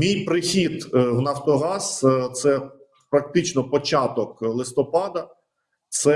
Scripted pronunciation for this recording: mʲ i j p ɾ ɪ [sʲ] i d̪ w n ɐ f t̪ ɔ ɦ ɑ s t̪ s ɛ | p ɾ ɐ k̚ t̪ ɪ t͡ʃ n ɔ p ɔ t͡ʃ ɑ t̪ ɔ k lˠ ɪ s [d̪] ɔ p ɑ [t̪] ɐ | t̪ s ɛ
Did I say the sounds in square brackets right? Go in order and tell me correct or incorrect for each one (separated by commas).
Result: incorrect, incorrect, incorrect